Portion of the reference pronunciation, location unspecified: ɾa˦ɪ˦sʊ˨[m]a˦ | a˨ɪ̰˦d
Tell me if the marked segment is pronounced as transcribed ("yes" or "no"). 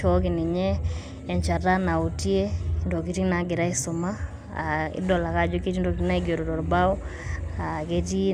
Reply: yes